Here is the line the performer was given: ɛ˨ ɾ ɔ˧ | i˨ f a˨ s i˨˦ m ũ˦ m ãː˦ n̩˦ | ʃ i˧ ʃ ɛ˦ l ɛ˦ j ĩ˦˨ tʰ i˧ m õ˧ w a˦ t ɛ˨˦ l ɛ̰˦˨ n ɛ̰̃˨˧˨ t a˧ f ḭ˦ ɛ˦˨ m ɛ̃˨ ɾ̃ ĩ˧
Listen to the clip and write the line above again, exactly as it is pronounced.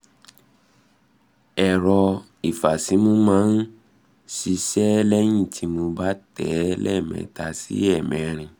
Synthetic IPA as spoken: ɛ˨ ɾ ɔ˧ | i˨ f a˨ s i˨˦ m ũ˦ m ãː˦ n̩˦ | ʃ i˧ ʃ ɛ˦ l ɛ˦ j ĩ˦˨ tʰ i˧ m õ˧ b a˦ t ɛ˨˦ l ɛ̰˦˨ m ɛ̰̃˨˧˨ t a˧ s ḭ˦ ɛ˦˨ m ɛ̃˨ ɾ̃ ĩ˧

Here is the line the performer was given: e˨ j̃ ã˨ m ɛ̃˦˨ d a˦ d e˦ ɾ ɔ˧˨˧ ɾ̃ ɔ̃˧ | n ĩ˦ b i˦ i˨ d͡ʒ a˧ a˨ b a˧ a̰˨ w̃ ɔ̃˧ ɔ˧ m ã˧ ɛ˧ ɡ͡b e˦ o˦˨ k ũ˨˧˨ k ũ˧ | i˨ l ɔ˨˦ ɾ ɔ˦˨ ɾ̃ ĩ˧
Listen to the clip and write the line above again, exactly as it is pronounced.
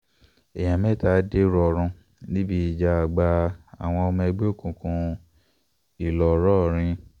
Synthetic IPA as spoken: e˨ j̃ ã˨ m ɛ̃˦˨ t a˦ d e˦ ɾ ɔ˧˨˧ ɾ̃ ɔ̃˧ | n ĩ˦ b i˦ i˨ d͡ʒ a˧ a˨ ɡ͡b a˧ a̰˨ w̃ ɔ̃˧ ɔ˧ m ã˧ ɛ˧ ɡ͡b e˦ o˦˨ k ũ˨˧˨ k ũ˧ | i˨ l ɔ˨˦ ɾ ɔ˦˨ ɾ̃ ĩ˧

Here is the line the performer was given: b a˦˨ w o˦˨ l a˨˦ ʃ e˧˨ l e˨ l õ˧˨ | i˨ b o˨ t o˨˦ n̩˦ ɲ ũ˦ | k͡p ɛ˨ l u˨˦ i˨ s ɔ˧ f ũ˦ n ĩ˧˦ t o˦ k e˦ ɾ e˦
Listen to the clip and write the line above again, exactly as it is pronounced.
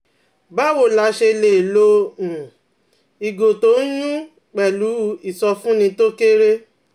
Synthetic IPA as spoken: b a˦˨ w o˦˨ l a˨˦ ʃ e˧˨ l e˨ l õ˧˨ | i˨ ɡ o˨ t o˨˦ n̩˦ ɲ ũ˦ | k͡p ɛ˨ l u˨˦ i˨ s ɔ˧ f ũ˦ n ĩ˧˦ t o˦ k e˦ ɾ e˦

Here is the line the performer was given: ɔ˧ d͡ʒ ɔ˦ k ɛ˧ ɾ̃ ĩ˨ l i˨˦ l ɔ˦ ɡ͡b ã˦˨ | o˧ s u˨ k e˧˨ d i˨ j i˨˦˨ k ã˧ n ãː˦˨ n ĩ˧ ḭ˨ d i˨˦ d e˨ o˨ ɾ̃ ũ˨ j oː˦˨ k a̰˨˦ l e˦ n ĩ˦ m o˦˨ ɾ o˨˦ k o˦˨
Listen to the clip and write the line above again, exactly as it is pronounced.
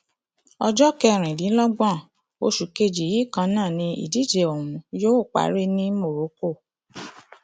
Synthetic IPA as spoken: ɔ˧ d͡ʒ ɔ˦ k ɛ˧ ɾ̃ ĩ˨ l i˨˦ l ɔ˦ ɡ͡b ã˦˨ | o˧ ʃ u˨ k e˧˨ d͡ʒ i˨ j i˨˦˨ k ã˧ n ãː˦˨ n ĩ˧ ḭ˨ d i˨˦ d͡ʒ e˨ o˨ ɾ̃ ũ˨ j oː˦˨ k͡p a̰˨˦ ɾ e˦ n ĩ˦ m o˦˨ ɾ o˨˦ k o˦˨

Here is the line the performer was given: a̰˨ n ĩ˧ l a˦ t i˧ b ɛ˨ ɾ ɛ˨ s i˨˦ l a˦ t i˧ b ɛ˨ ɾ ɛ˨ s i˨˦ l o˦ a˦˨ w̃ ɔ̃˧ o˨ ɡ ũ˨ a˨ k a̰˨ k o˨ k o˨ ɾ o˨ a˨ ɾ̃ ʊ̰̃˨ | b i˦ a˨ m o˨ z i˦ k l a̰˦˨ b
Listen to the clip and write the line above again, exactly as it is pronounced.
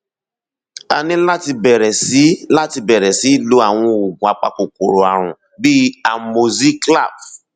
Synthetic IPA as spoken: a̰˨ n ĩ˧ l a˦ t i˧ b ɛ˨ ɾ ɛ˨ s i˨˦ l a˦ t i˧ b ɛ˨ ɾ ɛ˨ s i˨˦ l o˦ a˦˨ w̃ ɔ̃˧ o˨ ɡ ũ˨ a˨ k͡p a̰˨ k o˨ k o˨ ɾ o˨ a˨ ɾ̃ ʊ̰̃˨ | b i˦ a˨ m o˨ z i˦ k l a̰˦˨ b

